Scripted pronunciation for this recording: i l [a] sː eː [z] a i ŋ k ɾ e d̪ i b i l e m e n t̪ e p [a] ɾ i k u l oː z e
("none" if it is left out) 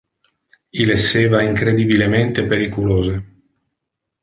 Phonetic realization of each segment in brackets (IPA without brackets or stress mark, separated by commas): e, v, e